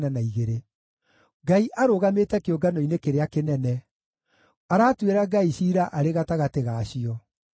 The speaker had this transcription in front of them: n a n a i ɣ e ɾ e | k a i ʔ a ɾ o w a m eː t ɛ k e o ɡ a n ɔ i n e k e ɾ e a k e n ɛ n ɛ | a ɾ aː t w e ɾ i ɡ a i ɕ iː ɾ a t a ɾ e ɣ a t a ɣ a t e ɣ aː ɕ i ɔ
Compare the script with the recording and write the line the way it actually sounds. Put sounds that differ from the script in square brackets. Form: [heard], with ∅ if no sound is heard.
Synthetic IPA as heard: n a n a i ɣ e ɾ e | [ɡ] a i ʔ a ɾ o [ɣ] a m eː t ɛ k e o ɡ a n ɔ i n e k e ɾ e a k e n ɛ n ɛ | a ɾ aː t w e ɾ [a] ɡ a i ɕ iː ɾ a [ʔ] a ɾ e ɣ a t a ɣ a t e ɣ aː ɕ i ɔ